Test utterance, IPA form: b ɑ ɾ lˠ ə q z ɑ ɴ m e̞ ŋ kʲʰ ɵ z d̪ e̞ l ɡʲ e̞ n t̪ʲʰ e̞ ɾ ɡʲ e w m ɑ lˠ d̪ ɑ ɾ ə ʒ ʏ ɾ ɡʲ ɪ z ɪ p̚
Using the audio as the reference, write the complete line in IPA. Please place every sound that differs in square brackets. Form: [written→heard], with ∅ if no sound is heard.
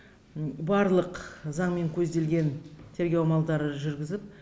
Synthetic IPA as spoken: b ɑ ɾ lˠ ə q z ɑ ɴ m e̞ ŋ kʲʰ ɵ z d̪ e̞ l ɡʲ e̞ n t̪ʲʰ e̞ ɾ ɡʲ e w m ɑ lˠ d̪ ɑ ɾ ə ʒ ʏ ɾ ɡʲ ɪ z ɪ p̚

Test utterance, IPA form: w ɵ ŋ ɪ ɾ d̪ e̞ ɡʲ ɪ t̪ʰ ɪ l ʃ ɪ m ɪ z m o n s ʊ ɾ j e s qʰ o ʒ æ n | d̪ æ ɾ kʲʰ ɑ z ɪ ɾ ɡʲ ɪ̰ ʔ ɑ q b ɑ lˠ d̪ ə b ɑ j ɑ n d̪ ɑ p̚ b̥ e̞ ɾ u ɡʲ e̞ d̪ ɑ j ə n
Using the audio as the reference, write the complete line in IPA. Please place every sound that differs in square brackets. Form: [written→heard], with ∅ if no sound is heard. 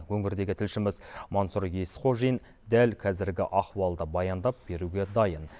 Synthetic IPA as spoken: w ɵ ŋ ɪ ɾ d̪ e̞ ɡʲ ɪ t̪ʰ ɪ l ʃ ɪ m ɪ z m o n s [ʊ→u] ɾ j e s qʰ o ʒ [æ→i] n | d̪ æ [ɾ→l] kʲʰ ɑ z ɪ ɾ ɡʲ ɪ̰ ʔ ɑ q [b→w] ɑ lˠ d̪ ə b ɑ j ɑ n d̪ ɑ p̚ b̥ e̞ ɾ u ɡʲ e̞ d̪ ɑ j ə n

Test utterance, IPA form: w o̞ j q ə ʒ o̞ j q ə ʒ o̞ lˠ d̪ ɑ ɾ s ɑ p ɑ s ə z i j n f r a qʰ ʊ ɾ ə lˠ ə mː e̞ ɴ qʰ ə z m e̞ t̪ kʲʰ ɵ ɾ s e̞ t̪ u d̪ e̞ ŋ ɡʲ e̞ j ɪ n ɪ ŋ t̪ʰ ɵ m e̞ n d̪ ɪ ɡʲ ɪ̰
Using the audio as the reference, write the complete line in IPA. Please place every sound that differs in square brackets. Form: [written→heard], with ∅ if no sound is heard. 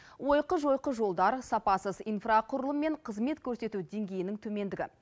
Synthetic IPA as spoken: w o̞ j q ə ʒ o̞ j q ə ʒ o̞ lˠ d̪ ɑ ɾ s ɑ p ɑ s ə z i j n f r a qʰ ʊ ɾ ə lˠ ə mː e̞ ɴ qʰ ə z m e̞ t̪ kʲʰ ɵ ɾ s e̞ t̪ u d̪ e̞ ŋ ɡʲ e̞ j ɪ n ɪ ŋ t̪ʰ ɵ m e̞ n d̪ ɪ ɡʲ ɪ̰

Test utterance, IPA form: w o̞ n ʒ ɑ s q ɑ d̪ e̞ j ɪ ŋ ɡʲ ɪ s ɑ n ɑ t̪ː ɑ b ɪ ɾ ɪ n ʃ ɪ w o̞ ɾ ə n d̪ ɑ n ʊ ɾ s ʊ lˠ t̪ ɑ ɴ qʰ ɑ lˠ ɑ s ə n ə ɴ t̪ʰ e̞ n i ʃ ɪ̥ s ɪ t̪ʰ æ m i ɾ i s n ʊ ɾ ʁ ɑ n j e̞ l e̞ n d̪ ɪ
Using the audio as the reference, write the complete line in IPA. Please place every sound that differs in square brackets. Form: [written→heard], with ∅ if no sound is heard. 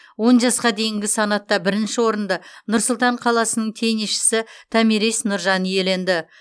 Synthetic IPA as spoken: w o̞ n ʒ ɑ s q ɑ d̪ e̞ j ɪ ŋ ɡʲ ɪ s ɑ n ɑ t̪ː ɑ b ɪ ɾ ɪ n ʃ ɪ w o̞ ɾ ə n d̪ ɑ n ʊ ɾ s ʊ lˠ t̪ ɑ ɴ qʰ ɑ lˠ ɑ s ə n ə ɴ t̪ʰ e̞ n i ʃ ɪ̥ s ɪ t̪ʰ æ m i ɾ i s n ʊ ɾ [ʁ→ʒ] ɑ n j e̞ l e̞ n d̪ ɪ

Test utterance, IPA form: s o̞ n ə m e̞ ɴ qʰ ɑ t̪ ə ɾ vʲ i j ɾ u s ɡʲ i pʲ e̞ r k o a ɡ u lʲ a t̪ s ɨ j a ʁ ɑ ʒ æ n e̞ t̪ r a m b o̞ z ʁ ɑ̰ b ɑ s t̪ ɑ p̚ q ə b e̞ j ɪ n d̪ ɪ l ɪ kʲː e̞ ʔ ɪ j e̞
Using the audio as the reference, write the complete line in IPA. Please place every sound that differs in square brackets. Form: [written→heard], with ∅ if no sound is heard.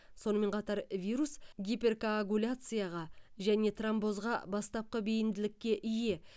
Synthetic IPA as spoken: s o̞ n ə m e̞ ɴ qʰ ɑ t̪ [ə→ɑ] ɾ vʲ i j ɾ u s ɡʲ i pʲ e̞ r k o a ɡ u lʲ a t̪ s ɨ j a ʁ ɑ ʒ æ n e̞ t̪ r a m b o̞ z ʁ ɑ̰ b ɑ s t̪ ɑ p̚ q ə b e̞ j ɪ n d̪ ɪ l ɪ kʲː e̞ ʔ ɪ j e̞

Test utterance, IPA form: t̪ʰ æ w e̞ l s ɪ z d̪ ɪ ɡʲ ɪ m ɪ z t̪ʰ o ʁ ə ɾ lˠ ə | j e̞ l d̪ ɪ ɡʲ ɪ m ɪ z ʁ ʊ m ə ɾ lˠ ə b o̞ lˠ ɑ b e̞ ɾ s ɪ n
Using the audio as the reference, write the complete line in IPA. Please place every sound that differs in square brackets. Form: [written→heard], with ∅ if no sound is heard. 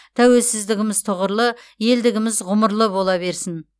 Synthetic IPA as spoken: t̪ʰ æ w e̞ l s ɪ z d̪ ɪ ɡʲ ɪ m ɪ z t̪ʰ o ʁ ə ɾ lˠ ə | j e̞ l d̪ ɪ ɡʲ ɪ m ɪ z ʁ ʊ m ə ɾ lˠ ə b o̞ lˠ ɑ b e̞ ɾ s ɪ n

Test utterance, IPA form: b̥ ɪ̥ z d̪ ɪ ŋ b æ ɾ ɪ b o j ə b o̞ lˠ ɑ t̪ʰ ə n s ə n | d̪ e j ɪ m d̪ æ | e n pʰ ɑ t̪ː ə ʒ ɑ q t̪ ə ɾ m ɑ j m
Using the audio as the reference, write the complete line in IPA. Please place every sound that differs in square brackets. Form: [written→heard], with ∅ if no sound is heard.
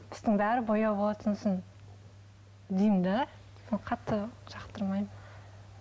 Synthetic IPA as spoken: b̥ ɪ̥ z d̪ ɪ ŋ b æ ɾ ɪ b o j [ə→ɑ] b o̞ lˠ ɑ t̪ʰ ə n s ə n | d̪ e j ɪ m d̪ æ | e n [pʰ→qʰ] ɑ t̪ː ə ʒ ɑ q t̪ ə ɾ m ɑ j m

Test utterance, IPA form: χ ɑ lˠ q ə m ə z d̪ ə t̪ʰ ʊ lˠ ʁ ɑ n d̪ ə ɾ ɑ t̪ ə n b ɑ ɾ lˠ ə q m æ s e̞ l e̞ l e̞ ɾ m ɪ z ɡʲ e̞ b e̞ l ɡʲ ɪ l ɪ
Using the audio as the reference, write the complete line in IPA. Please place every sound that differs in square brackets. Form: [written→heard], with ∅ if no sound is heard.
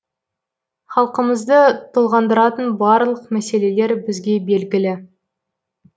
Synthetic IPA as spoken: χ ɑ lˠ q ə m ə z d̪ ə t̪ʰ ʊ lˠ ʁ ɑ n d̪ ə ɾ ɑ t̪ ə n b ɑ ɾ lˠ ə q m æ s e̞ l e̞ l e̞ ɾ [m→b] ɪ z ɡʲ e̞ b e̞ l ɡʲ ɪ l ɪ

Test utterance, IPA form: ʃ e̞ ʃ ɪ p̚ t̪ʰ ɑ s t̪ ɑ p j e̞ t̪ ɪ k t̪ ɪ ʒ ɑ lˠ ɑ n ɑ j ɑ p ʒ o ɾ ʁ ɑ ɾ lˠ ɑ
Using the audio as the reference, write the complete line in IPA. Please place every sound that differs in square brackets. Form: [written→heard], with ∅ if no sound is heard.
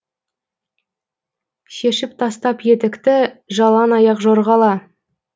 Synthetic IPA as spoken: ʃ e̞ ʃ ɪ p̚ t̪ʰ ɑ s t̪ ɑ p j e̞ t̪ ɪ k t̪ ɪ ʒ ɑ lˠ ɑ n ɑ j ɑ [p→q] ʒ o ɾ ʁ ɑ [ɾ→∅] lˠ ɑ

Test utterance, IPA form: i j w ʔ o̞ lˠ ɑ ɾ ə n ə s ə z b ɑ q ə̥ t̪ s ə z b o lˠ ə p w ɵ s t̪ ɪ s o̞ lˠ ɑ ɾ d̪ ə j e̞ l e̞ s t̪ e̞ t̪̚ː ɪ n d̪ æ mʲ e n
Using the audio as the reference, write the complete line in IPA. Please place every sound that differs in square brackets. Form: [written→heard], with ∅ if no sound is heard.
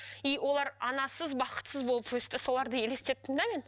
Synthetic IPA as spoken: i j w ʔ o̞ lˠ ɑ ɾ [ə→ɑ] n [ə→ɑ] s ə z b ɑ q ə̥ t̪ s ə z b o lˠ ə p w ɵ s t̪ ɪ s o̞ lˠ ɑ ɾ d̪ ə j e̞ l e̞ s t̪ e̞ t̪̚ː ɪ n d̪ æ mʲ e n

